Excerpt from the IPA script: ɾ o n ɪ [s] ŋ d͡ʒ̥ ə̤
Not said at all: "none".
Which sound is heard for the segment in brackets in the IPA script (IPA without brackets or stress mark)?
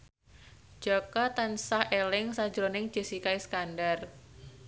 none